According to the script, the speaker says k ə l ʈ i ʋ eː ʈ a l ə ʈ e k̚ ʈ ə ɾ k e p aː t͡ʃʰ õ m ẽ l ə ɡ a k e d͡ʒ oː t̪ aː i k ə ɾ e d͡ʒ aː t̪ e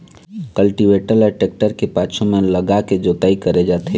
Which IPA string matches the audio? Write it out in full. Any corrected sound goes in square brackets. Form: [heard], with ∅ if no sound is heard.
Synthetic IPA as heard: k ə l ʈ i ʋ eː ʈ [ə] l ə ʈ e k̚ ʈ ə ɾ k e p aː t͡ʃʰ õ m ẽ l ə ɡ a k e d͡ʒ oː t̪ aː i k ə ɾ e d͡ʒ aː t̪ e